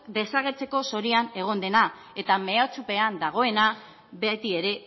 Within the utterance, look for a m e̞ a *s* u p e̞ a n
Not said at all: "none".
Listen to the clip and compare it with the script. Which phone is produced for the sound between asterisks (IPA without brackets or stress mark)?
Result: t͡s